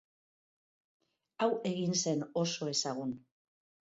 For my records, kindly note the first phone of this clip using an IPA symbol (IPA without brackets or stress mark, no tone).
a